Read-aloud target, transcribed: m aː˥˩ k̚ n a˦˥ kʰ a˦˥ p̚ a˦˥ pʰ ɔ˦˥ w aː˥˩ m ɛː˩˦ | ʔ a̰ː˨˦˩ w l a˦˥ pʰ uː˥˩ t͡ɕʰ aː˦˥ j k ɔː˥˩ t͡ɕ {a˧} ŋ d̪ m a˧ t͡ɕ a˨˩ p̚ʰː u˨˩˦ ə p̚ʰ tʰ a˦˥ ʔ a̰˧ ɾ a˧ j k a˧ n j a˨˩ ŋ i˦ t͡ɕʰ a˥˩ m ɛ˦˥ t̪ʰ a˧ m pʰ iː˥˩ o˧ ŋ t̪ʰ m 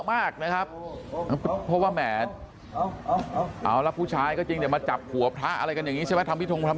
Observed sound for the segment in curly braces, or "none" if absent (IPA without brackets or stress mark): i˧